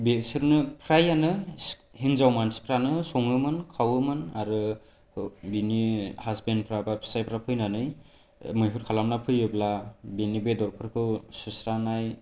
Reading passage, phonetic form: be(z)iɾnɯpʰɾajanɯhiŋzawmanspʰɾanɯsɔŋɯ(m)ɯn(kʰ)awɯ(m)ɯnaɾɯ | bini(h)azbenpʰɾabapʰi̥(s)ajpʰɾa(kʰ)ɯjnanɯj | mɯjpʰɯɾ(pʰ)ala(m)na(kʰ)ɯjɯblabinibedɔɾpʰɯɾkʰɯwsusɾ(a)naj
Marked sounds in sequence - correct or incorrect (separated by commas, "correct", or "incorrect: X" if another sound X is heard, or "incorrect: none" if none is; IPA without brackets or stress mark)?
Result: incorrect: s, correct, correct, correct, correct, correct, incorrect: pʰ, incorrect: kʰ, correct, incorrect: pʰ, correct